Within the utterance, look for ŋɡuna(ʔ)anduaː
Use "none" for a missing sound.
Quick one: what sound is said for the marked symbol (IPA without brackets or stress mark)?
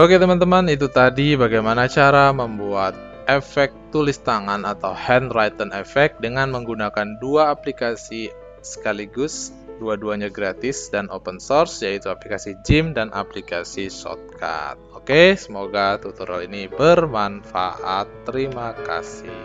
k